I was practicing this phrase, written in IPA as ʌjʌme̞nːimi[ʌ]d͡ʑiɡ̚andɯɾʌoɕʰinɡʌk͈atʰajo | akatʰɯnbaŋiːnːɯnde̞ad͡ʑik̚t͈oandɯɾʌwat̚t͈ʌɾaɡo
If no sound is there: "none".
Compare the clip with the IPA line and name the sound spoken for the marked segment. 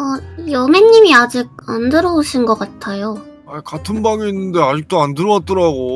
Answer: a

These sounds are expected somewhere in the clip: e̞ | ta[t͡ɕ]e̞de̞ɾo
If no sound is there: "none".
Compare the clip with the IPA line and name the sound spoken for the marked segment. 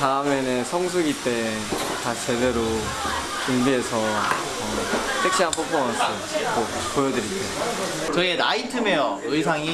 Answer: t͡ɕ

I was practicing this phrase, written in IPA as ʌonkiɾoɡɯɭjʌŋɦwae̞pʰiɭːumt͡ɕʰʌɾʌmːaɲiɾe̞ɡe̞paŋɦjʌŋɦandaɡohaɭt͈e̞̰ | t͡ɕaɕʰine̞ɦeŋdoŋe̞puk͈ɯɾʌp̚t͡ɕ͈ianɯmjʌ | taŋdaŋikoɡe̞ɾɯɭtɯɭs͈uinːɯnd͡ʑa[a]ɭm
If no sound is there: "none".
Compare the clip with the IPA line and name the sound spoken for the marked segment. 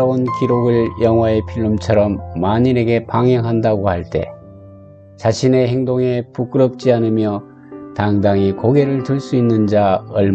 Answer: ʌ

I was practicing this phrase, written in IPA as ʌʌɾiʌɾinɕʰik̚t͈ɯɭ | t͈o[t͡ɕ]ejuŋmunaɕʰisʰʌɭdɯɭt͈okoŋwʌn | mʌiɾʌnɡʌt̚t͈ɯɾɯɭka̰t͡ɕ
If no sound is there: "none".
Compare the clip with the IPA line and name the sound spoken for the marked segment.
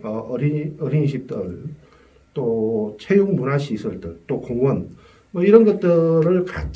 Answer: t͡ɕʰ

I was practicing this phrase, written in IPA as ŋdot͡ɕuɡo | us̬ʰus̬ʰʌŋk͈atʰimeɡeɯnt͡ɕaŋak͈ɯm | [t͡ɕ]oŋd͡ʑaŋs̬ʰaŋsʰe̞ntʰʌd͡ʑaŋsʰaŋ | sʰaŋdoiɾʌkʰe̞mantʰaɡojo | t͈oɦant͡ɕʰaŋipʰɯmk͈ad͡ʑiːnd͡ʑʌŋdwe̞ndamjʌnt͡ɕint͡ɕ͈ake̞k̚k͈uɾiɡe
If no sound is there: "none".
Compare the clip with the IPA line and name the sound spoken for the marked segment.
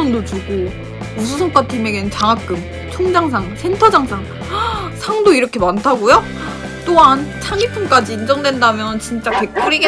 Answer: t͡ɕʰ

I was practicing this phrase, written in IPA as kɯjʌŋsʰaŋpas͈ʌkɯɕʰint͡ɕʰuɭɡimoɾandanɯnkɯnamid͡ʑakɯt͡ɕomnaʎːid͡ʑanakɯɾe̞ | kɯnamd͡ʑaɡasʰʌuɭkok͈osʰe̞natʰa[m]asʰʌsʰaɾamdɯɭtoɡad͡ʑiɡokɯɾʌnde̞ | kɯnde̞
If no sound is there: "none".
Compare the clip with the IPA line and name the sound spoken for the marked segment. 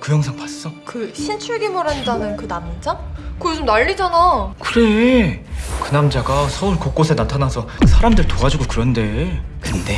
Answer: n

